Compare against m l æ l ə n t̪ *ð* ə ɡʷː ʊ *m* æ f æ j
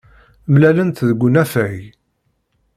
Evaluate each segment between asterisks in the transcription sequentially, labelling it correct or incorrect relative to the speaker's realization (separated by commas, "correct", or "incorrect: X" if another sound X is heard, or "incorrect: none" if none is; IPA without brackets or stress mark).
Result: correct, incorrect: n